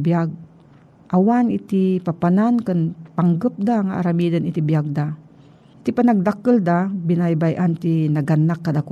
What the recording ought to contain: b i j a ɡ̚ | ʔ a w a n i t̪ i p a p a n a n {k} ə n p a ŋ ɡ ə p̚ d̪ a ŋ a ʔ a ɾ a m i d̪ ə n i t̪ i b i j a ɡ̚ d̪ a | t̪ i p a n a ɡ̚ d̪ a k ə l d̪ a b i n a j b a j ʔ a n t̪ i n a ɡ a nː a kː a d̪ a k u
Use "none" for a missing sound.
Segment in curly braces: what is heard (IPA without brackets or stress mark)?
k